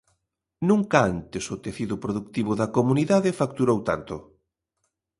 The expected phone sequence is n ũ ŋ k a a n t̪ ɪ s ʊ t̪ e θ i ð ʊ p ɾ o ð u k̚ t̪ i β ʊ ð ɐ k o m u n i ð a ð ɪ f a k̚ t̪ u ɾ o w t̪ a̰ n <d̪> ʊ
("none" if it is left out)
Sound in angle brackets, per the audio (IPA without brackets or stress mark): t̪